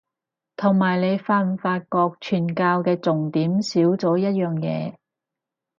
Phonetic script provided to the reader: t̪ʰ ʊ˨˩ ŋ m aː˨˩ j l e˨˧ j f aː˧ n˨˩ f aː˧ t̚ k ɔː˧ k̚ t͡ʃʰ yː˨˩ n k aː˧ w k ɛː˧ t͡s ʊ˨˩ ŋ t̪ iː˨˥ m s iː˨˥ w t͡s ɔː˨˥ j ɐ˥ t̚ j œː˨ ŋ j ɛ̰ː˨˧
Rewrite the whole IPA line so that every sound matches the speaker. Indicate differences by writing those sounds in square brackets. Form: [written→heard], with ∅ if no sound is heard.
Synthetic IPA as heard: t̪ʰ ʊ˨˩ ŋ m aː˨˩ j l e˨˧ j f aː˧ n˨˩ f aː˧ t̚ k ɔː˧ k̚ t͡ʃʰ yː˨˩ n k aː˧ w k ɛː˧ t͡s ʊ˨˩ ŋ t̪ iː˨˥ m s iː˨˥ w t͡s ɔː˨˥ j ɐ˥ t̚ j œː˨ ŋ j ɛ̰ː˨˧